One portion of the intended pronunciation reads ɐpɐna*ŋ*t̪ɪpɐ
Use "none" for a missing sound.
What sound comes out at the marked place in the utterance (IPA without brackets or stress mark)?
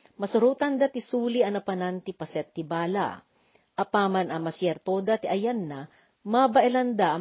n